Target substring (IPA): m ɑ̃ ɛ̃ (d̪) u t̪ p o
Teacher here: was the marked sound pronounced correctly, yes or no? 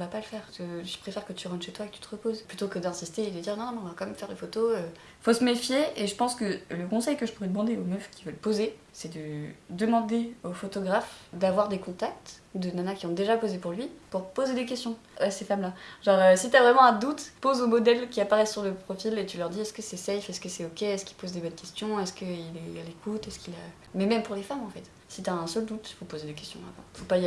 yes